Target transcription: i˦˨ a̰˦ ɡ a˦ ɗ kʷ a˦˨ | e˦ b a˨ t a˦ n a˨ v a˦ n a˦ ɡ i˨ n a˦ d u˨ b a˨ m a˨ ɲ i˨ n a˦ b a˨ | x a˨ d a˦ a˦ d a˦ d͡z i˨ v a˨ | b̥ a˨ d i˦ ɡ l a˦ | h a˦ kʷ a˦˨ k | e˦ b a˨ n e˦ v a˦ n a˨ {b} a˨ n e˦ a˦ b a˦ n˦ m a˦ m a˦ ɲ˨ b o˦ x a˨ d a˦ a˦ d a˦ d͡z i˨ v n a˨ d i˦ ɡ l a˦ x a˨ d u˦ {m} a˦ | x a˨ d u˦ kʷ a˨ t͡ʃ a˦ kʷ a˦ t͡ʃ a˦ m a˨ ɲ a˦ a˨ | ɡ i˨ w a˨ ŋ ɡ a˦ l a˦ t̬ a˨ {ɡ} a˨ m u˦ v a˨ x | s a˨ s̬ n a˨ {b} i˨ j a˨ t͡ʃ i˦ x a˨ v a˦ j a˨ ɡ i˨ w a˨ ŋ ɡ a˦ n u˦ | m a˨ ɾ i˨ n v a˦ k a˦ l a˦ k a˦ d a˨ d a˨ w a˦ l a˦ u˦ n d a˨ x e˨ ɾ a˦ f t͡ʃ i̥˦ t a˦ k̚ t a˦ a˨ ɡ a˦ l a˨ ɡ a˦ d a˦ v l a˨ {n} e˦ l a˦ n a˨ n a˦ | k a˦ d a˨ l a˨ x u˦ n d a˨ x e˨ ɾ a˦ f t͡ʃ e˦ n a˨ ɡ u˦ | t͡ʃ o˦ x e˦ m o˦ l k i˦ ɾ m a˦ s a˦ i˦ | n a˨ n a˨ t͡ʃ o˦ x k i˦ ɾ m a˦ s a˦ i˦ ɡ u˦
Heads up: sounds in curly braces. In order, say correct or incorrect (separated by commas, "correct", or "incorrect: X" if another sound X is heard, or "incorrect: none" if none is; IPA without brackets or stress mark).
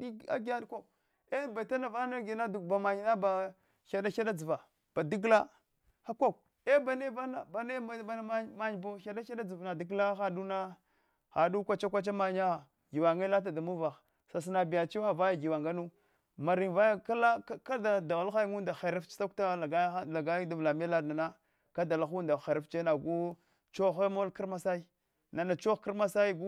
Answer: correct, incorrect: n, incorrect: d, correct, incorrect: m